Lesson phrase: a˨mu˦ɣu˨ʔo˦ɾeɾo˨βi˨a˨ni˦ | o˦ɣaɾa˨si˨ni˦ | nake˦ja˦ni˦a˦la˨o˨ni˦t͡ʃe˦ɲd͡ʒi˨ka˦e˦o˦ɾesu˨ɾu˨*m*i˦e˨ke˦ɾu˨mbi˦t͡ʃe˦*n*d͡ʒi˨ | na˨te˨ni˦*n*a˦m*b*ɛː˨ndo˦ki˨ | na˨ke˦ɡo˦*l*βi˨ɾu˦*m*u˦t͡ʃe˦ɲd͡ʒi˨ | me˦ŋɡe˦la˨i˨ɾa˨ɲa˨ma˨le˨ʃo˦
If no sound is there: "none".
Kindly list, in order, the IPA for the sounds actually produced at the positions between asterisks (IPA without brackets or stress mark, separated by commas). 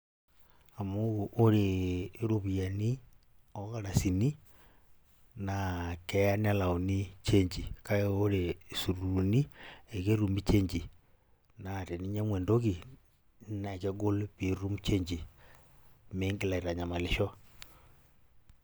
n, ɲ, ɲ, w, l, m